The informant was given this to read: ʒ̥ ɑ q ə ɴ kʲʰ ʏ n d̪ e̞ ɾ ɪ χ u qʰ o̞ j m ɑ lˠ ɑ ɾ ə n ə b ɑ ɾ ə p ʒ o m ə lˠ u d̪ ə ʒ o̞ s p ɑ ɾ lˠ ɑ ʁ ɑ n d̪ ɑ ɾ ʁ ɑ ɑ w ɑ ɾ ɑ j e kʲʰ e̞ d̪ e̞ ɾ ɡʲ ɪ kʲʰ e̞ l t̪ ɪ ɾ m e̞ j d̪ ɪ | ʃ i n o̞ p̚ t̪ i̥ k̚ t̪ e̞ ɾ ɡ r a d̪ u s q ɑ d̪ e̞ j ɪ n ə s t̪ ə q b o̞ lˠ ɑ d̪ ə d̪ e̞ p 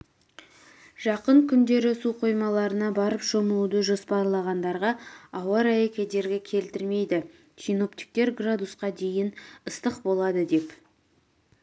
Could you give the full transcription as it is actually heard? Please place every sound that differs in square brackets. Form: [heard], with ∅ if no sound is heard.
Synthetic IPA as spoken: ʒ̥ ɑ q ə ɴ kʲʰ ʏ n d̪ e̞ ɾ ɪ [s] u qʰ o̞ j m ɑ lˠ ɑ ɾ ə n [ɑ] b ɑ ɾ ə p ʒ o m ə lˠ u d̪ ə ʒ o̞ s p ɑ ɾ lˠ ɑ ʁ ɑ n d̪ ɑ ɾ ʁ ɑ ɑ w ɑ ɾ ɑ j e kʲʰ e̞ d̪ e̞ ɾ ɡʲ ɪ kʲʰ e̞ l t̪ ɪ ɾ m e̞ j d̪ ɪ | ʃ i n o̞ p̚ t̪ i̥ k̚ t̪ e̞ ɾ ɡ r a d̪ u s q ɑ d̪ e̞ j ɪ n ə s t̪ ə q b o̞ lˠ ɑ d̪ ə d̪ e̞ p

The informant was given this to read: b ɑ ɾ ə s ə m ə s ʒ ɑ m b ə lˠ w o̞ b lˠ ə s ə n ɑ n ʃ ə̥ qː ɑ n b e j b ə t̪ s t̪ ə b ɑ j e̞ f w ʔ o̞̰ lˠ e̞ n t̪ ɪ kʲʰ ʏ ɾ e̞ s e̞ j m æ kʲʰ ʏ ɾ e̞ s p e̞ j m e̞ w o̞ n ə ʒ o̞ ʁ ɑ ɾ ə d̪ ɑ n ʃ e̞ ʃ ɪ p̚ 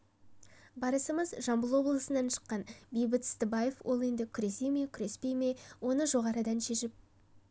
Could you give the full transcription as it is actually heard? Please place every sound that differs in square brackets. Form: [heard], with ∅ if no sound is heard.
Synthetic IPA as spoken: b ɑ ɾ ə s ə m ə [z] ʒ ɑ m b ə lˠ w o̞ b lˠ ə s ə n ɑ n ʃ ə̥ qː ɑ n b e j b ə t̪ s t̪ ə b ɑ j e̞ f w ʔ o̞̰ lˠ e̞ n [d̪] ɪ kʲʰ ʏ ɾ e̞ s e̞ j m [e] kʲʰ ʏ ɾ e̞ s p e̞ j m e̞ w o̞ n ə ʒ o̞ ʁ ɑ ɾ ə d̪ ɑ n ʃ e̞ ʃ ɪ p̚

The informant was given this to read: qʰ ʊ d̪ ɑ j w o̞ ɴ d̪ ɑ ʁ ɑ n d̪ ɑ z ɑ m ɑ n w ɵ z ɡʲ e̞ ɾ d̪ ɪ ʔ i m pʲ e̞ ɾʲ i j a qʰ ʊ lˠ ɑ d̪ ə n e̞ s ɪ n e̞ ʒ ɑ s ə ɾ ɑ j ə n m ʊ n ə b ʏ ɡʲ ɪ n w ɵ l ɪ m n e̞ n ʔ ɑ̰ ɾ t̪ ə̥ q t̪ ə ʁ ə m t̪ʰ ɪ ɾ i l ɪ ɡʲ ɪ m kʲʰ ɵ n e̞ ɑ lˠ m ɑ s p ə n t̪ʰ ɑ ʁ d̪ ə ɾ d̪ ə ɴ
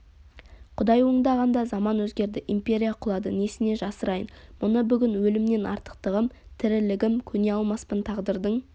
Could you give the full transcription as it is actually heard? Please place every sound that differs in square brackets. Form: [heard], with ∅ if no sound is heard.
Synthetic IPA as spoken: qʰ ʊ d̪ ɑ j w o̞ ɴ d̪ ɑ ʁ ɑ n d̪ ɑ z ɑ m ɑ n w ɵ z ɡʲ e̞ ɾ d̪ ɪ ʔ i m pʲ e̞ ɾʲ i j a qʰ ʊ lˠ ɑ d̪ ə n e̞ s ɪ n e̞ ʒ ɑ s ə ɾ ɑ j ə n m ʊ n ə b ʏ ɡʲ ɪ n w ɵ l ɪ m n e̞ n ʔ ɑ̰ ɾ t̪ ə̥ q t̪ ə ʁ ə m t̪ʰ ɪ ɾ [ɪ] l ɪ ɡʲ ɪ m kʲʰ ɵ n e̞ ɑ lˠ m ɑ s p ə n t̪ʰ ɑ ʁ d̪ ə ɾ d̪ ə ɴ

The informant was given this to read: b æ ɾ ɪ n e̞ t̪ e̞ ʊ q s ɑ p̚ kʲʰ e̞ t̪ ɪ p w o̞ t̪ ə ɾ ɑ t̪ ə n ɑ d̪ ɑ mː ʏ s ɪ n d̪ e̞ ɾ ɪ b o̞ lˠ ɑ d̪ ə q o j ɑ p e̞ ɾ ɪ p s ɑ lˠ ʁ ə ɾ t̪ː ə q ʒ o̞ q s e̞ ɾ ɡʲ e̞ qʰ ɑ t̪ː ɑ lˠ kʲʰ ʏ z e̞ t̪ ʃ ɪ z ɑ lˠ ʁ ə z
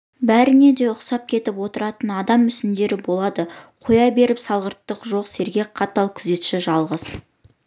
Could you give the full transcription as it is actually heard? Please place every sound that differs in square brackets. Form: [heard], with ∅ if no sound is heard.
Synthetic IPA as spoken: b æ ɾ ɪ n e̞ [d̪] e̞ ʊ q s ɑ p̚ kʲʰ e̞ t̪ ɪ p w o̞ t̪ ə ɾ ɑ t̪ ə n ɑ d̪ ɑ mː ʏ s ɪ n d̪ e̞ ɾ ɪ b o̞ lˠ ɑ d̪ ə [qʰ] o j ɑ [b] e̞ ɾ ɪ p s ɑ lˠ ʁ ə ɾ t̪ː ə q ʒ o̞ q s e̞ ɾ ɡʲ e̞ qʰ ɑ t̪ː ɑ lˠ kʲʰ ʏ z e̞ t̪ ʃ ɪ [ʒ] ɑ lˠ ʁ ə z

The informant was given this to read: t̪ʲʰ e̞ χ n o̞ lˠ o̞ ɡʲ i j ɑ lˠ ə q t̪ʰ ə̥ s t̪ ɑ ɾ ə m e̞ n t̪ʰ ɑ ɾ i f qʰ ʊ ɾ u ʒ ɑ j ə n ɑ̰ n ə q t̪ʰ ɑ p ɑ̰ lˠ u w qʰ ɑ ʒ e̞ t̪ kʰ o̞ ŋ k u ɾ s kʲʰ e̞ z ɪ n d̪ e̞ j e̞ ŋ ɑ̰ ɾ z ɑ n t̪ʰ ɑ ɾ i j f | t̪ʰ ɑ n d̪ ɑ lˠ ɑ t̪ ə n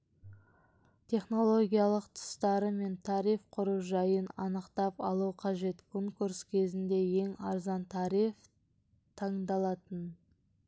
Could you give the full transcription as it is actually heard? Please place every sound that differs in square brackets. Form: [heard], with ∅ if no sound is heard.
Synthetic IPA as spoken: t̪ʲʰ e̞ χ n o̞ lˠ o̞ ɡʲ i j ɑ lˠ ə q t̪ʰ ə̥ s t̪ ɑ ɾ ə m e̞ n t̪ʰ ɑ ɾ i f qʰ ʊ ɾ u ʒ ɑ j ə n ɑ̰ n ə q [t̪] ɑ p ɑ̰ lˠ u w qʰ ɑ ʒ e̞ t̪ kʰ o̞ ŋ k u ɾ s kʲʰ e̞ z ɪ n d̪ e̞ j e̞ ŋ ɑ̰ ɾ z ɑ n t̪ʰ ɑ ɾ i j f | t̪ʰ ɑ [ɴ] d̪ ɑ lˠ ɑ t̪ ə n

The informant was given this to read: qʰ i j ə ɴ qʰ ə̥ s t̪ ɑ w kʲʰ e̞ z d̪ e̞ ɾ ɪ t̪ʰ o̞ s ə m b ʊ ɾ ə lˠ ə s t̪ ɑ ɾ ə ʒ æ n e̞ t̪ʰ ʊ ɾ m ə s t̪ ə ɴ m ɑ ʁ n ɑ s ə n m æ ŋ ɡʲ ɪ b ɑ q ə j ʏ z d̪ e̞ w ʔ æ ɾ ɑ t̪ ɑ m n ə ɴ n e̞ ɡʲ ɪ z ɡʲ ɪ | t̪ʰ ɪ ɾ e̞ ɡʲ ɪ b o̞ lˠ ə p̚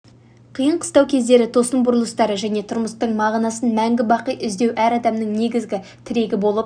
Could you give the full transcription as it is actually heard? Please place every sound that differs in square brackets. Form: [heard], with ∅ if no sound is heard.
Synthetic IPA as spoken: qʰ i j ə ɴ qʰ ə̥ s t̪ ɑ w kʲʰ e̞ z d̪ e̞ ɾ ɪ t̪ʰ o̞ s ə m b ʊ ɾ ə lˠ ə s t̪ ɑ ɾ ə ʒ æ n e̞ t̪ʰ ʊ ɾ m ə s t̪ ə ɴ m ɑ ʁ n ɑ s ə n m æ ŋ ɡʲ ɪ b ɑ q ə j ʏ z d̪ e̞ w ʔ æ ɾ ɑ [d̪] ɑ m n ə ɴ n e̞ ɡʲ ɪ z ɡʲ ɪ | t̪ʰ ɪ ɾ e̞ ɡʲ ɪ b o̞ lˠ ə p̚

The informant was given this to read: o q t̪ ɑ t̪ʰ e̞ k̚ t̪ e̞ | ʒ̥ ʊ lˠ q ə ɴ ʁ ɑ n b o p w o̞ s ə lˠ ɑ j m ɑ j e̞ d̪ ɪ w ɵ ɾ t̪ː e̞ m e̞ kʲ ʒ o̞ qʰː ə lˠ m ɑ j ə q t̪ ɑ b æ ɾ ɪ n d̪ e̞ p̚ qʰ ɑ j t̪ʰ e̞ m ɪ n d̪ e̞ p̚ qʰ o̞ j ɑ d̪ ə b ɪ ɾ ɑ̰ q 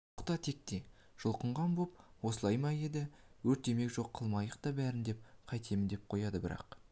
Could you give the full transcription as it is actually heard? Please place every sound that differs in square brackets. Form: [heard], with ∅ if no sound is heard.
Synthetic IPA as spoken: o q t̪ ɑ t̪ʰ e̞ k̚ t̪ e̞ | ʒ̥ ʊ lˠ q ə ɴ ʁ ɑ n b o p w o̞ s ə lˠ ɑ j m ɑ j e̞ d̪ ɪ w ɵ ɾ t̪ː e̞ m e̞ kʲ ʒ o̞ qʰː ə lˠ m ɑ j ə q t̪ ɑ b æ ɾ ɪ n d̪ e̞ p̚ qʰ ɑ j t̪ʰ e̞ m ɪ n d̪ e̞ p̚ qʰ o̞ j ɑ d̪ ə b ɪ ɾ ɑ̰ q

